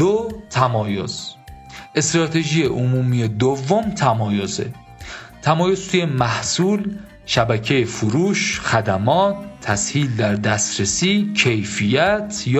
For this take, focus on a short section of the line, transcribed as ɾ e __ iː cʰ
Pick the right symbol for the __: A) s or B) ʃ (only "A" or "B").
A